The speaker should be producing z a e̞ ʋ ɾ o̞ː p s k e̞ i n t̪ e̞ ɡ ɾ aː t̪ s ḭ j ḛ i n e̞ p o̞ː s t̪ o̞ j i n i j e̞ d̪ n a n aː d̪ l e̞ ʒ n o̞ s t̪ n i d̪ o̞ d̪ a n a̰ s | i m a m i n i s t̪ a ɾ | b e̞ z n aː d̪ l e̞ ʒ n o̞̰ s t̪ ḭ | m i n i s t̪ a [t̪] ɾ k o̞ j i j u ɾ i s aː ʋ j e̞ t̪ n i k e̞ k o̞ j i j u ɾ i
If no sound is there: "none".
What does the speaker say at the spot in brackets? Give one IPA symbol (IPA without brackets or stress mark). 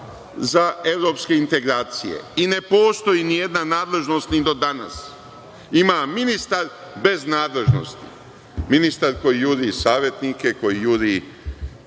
none